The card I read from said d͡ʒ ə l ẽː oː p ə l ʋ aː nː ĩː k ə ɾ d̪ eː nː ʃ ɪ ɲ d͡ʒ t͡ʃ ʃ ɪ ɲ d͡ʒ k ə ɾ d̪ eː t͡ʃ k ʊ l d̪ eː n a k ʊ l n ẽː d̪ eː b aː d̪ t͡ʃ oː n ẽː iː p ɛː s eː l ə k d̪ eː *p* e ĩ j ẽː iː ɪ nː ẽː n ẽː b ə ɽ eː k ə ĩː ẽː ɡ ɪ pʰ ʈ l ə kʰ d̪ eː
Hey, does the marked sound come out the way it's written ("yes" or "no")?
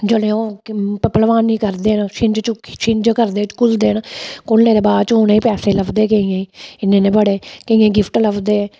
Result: no